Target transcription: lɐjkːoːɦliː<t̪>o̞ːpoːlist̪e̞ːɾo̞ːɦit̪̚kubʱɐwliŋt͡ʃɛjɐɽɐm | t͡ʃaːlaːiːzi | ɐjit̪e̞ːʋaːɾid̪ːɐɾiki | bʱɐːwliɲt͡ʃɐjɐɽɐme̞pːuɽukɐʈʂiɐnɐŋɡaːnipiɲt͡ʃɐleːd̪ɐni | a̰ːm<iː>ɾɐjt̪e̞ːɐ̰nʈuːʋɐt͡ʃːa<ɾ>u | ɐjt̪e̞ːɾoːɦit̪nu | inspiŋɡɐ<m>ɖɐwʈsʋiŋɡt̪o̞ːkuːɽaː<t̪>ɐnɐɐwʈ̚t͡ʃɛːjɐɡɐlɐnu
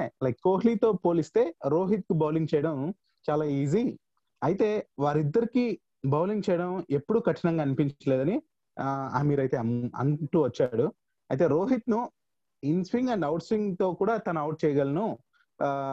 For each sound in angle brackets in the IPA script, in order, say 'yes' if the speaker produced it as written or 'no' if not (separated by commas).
yes, yes, no, no, yes